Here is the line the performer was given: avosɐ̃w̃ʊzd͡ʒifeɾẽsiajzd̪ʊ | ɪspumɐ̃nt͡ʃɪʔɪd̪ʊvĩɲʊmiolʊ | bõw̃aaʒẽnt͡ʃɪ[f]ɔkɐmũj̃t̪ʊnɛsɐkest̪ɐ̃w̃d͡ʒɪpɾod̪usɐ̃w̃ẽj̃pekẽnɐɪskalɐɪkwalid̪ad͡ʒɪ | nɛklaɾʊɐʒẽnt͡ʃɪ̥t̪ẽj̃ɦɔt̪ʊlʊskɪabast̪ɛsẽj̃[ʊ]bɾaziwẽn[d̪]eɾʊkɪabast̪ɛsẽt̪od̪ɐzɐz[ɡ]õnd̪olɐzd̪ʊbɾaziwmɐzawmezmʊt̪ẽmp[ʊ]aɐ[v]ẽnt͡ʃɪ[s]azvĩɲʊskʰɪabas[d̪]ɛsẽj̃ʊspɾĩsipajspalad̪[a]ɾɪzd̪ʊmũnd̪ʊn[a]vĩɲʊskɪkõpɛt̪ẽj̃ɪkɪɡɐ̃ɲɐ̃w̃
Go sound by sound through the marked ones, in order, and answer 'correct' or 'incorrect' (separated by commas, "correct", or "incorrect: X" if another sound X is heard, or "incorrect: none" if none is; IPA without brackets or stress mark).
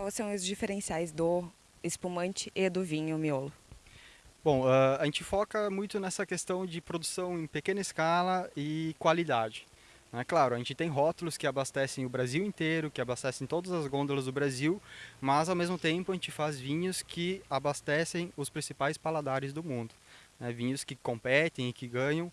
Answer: correct, correct, incorrect: t̪, correct, correct, incorrect: ʒ, incorrect: f, incorrect: t̪, correct, incorrect: ɛ